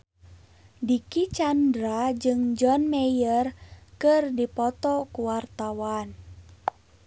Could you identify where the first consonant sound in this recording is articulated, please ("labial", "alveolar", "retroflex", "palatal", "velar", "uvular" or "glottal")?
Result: alveolar